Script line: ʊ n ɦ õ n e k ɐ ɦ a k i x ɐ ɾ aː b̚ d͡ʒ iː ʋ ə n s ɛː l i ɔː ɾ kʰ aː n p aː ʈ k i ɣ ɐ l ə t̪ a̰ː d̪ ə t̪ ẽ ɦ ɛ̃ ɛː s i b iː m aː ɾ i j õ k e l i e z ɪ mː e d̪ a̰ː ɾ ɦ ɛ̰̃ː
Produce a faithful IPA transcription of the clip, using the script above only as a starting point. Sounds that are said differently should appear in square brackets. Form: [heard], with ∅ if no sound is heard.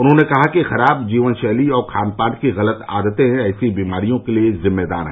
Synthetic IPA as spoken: ʊ n ɦ õ n e k ɐ ɦ a k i x ɐ ɾ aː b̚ d͡ʒ iː ʋ ə n [ʃ] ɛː l i ɔː ɾ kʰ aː n p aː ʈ k i ɣ ɐ l ə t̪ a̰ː d̪ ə t̪ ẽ ɦ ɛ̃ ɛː s i b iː m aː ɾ i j õ k e l i e z ɪ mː e d̪ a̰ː ɾ ɦ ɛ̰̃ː